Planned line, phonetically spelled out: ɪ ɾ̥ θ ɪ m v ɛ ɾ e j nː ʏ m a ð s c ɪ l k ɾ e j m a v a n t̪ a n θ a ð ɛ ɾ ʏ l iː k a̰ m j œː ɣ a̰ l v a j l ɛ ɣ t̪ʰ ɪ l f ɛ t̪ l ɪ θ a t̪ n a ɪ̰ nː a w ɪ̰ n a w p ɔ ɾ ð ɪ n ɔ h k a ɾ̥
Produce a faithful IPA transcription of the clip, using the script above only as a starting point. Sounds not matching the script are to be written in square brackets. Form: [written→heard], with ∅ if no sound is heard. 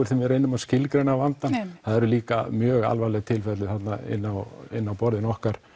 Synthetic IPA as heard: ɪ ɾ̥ θ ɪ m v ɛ ɾ e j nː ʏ m a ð s c ɪ l k ɾ e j [m→n] a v a n t̪ a n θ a ð ɛ ɾ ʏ l iː k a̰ m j œː ɣ a̰ l v a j l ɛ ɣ t̪ʰ ɪ l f ɛ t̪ l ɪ θ a t̪ n a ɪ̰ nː a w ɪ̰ [n→nː] a w p ɔ ɾ ð ɪ n ɔ h k a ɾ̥